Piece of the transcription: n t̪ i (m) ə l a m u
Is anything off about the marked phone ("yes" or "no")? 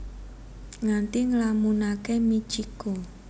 yes